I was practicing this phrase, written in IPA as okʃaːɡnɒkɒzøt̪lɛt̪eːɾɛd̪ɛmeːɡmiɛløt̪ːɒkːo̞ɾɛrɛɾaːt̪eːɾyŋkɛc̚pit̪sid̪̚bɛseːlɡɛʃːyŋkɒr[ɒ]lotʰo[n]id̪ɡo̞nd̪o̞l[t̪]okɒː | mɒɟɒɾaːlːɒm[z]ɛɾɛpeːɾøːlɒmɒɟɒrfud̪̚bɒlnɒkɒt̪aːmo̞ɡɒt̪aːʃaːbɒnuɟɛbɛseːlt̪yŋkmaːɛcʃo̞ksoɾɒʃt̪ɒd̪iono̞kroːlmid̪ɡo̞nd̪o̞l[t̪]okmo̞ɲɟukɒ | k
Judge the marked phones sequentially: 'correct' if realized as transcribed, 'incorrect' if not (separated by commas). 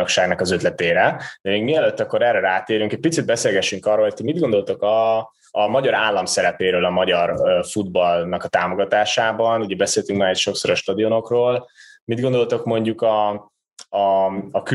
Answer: incorrect, incorrect, correct, incorrect, correct